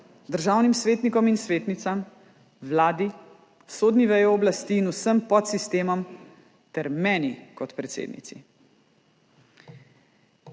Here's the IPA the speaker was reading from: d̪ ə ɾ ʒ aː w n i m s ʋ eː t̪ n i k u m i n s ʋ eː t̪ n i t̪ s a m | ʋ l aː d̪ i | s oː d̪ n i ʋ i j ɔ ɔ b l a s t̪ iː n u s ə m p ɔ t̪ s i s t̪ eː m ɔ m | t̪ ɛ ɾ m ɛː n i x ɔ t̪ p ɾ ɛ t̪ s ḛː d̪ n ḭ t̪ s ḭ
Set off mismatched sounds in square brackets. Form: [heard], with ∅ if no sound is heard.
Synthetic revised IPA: d̪ ə ɾ ʒ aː w n i m s ʋ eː t̪ n i k [ɔ] m i n s ʋ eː t̪ n i t̪ s a m | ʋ l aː d̪ i | s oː d̪ n i ʋ [ɛ] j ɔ ɔ b l a s t̪ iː n u s ə m p ɔ t̪ s i s t̪ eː m ɔ m | t̪ ɛ ɾ m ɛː n i [k] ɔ t̪ p ɾ ɛ t̪ s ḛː d̪ n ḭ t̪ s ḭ